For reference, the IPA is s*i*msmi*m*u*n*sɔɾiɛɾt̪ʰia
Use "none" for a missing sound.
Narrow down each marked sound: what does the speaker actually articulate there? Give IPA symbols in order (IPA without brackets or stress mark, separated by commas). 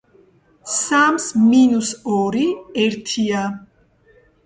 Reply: a, n, none